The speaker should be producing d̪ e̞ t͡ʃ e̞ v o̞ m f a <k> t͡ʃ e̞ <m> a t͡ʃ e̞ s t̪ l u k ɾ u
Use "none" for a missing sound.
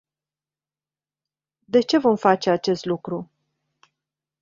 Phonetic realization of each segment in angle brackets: none, none

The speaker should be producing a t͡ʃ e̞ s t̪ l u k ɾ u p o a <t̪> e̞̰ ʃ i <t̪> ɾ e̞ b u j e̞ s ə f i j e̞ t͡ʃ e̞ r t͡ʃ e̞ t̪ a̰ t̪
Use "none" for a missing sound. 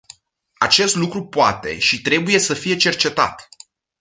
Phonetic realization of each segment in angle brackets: t̪, t̪

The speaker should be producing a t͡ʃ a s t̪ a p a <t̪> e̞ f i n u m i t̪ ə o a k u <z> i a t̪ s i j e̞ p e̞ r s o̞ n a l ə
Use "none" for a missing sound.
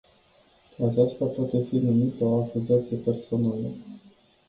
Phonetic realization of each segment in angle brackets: t̪, z

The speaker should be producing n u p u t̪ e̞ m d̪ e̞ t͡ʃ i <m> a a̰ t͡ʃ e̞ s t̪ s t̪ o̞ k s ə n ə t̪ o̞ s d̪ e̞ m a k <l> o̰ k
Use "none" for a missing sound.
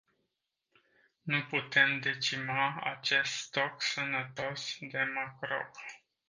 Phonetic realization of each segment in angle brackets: m, ɾ

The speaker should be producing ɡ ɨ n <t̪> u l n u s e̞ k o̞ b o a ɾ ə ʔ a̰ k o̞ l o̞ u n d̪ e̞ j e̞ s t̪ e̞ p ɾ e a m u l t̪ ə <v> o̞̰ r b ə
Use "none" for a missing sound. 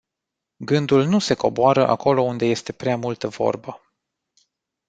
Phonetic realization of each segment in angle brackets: d̪, v

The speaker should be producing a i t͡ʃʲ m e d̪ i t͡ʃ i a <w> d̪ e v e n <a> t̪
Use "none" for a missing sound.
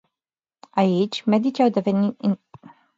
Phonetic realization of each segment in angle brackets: w, i

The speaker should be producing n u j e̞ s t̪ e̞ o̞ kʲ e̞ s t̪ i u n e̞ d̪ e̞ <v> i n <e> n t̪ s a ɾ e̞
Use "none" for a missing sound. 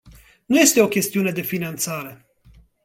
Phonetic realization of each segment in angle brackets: f, a

